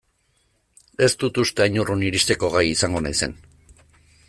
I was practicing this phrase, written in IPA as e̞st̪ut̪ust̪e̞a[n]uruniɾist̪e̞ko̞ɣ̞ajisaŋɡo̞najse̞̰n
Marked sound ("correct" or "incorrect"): incorrect